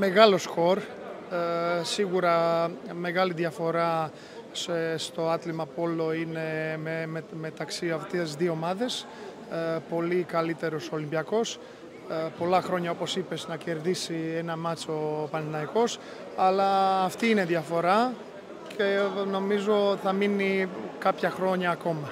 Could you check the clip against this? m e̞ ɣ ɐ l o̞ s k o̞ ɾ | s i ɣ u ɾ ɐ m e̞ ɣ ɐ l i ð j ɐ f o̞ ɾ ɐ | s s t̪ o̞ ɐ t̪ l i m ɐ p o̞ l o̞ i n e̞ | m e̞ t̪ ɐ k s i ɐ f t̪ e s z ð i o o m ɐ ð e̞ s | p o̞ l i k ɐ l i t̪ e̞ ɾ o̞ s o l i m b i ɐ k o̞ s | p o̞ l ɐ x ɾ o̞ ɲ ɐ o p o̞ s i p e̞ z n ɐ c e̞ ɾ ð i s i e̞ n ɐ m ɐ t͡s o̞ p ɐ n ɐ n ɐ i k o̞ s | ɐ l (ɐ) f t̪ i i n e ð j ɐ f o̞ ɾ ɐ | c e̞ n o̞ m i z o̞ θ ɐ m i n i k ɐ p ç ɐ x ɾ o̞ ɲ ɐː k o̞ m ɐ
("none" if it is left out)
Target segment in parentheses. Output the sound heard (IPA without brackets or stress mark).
ɐː